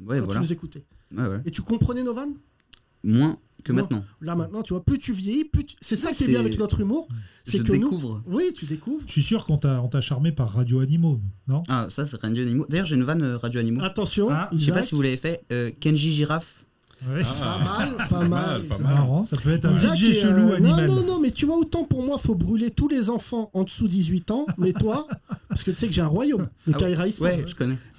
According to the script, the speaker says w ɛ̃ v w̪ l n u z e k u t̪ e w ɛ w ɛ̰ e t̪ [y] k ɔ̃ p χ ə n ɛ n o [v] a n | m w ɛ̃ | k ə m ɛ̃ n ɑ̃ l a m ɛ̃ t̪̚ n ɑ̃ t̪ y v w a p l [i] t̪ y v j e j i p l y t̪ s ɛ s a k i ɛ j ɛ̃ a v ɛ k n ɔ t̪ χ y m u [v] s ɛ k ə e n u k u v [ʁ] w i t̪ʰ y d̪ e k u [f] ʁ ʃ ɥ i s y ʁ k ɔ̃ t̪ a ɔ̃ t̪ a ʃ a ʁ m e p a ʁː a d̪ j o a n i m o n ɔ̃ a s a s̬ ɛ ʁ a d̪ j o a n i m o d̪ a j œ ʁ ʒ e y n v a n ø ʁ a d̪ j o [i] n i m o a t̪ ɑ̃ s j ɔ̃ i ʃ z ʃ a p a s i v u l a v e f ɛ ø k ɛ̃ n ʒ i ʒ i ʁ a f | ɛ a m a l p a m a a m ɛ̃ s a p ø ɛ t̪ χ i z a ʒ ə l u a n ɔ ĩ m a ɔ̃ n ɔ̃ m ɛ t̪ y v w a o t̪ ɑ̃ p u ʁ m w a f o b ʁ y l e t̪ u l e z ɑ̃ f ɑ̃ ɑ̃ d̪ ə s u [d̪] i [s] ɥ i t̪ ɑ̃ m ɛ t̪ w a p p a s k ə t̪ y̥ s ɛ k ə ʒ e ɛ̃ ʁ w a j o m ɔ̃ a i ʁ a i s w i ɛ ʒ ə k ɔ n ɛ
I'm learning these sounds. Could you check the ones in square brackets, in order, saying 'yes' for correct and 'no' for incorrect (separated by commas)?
yes, yes, no, no, yes, no, no, yes, no